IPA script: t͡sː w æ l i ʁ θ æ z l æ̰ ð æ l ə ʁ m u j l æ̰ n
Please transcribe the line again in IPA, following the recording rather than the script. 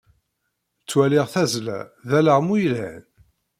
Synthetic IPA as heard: t͡sː w æ l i ʁ θ æ z l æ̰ ð æ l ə ʁ m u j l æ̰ n